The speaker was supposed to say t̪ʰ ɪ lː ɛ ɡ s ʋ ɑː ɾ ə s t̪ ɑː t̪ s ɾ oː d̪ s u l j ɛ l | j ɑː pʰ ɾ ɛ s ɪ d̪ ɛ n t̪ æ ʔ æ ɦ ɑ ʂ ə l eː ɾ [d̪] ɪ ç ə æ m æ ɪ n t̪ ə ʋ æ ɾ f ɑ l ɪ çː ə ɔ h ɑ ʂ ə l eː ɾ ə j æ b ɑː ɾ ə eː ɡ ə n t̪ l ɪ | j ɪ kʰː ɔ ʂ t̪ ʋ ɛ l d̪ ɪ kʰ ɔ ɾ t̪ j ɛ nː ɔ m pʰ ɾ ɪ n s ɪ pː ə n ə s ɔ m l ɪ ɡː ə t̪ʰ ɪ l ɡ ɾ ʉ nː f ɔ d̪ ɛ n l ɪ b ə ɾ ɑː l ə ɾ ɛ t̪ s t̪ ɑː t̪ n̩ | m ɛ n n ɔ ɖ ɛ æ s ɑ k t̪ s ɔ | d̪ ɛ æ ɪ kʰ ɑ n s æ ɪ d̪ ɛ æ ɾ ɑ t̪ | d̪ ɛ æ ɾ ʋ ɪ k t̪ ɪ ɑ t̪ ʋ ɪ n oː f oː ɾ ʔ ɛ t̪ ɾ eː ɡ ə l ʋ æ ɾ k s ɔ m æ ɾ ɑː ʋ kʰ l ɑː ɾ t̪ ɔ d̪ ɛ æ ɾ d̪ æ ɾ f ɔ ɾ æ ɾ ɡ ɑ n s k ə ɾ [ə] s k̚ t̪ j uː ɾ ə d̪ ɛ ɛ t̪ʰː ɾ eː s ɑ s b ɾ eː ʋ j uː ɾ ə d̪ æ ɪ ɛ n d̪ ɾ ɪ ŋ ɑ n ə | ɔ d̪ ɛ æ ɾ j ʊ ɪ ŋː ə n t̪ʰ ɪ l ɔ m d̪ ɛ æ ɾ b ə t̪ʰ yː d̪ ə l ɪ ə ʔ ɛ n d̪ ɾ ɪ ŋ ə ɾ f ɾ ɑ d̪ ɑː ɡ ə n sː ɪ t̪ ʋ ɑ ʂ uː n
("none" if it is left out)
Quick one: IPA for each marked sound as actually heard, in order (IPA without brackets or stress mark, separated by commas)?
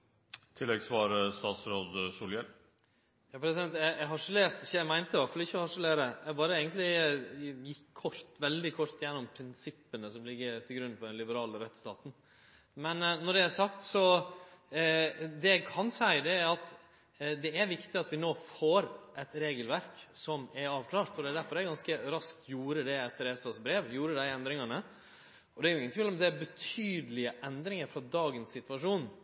t̪, ɑ